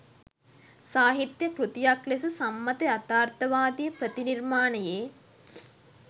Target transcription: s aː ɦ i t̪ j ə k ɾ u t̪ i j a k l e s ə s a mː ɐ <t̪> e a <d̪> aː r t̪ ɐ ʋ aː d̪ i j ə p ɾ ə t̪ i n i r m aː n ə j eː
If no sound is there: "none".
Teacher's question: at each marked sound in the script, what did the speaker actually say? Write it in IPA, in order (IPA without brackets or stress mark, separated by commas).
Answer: t̪, t̪